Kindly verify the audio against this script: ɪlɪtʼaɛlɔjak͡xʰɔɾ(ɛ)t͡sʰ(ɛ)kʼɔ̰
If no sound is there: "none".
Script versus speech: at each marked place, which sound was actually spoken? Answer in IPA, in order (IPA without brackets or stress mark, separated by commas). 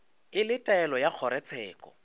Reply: ɛ, ɛː